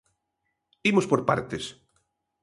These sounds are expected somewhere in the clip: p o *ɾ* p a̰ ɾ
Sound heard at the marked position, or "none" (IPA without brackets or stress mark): ɾ